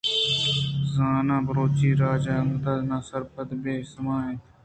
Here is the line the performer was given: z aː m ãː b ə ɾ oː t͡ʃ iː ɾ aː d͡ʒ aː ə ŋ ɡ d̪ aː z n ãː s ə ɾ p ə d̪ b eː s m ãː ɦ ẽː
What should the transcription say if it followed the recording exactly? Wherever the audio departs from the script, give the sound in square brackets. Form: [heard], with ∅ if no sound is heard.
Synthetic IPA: z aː [n] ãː b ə ɾ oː t͡ʃ iː ɾ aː d͡ʒ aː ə ŋ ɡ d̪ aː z n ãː s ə ɾ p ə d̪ b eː s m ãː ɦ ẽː